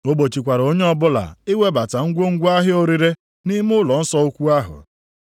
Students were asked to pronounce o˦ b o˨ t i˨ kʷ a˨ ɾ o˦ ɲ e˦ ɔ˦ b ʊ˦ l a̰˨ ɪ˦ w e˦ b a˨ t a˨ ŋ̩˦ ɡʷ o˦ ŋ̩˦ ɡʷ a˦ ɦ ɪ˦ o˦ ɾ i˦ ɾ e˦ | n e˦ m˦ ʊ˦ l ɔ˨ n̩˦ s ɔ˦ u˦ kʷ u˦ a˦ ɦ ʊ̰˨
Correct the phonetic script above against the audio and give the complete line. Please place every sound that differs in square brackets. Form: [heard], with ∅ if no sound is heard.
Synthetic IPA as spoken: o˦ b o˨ [t͡ʃ] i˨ kʷ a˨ ɾ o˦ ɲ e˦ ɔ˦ b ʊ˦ l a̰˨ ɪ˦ w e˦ b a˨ t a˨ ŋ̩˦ ɡʷ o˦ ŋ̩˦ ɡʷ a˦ ɦ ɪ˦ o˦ ɾ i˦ ɾ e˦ | n [i˦] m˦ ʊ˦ l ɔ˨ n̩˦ s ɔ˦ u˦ kʷ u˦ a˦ ɦ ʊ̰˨